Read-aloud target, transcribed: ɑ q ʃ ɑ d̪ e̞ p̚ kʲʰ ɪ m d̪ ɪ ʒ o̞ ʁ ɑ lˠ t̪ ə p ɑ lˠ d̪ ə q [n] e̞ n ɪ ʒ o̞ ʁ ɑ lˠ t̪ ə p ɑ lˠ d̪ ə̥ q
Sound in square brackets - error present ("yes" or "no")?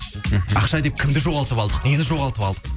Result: no